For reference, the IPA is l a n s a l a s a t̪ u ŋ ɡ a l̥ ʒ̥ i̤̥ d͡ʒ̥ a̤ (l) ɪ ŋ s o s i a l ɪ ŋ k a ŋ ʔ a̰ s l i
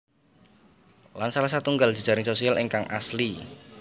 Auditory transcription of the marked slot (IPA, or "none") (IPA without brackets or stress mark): ɾ